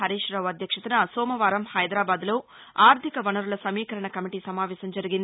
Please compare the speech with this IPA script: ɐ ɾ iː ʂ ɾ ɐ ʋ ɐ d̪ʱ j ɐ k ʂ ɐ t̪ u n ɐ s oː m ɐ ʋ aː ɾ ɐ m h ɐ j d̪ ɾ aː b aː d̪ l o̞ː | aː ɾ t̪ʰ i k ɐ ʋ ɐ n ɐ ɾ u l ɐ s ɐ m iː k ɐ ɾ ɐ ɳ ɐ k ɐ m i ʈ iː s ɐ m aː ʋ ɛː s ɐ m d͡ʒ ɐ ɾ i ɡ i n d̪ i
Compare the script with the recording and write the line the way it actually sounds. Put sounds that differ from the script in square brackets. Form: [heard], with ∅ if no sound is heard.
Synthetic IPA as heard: ɐ ɾ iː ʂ ɾ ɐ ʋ ɐ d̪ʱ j ɐ k ʂ ɐ t̪ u n ɐ s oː m ɐ ʋ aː ɾ ɐ m h ɐ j d̪ ɾ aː b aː d̪ l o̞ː | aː ɾ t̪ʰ i k ɐ ʋ ɐ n ɐ ɾ u l ɐ s ɐ m iː k ɐ ɾ ɐ ɳ ɐ k ɐ m i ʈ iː s ɐ m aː ʋ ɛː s ɐ m d͡ʒ ɐ ɾ i ɡ i n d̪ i